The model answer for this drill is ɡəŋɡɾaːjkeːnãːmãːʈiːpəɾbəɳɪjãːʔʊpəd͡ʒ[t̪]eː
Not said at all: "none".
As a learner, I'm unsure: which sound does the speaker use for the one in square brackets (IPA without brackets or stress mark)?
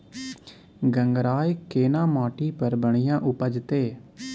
t̪